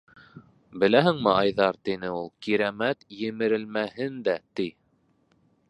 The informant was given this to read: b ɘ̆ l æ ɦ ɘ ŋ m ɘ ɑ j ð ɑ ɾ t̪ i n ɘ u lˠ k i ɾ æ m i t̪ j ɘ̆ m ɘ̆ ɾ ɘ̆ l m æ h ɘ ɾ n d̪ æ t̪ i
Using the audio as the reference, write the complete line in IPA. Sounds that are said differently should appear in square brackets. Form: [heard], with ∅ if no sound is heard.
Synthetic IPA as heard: b ɘ̆ l æ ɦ ɘ ŋ m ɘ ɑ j ð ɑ ɾ t̪ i n ɘ u lˠ k i ɾ æ m [æ] t̪ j ɘ̆ m ɘ̆ ɾ ɘ̆ l m æ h ɘ [∅] n d̪ æ t̪ i